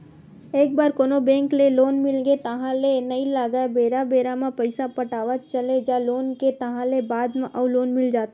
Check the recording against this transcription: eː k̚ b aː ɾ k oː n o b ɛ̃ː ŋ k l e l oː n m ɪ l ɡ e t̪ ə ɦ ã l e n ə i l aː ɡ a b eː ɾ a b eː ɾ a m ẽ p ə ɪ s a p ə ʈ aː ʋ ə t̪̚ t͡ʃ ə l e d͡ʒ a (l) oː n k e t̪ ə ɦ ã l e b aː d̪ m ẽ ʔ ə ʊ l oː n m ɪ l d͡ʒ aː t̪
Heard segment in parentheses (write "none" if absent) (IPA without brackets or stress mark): l